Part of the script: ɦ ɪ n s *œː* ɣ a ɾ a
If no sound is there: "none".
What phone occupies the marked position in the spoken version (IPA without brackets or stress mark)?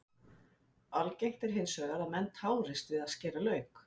œː